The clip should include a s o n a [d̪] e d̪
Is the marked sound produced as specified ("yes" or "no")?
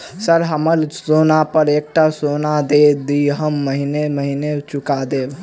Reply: yes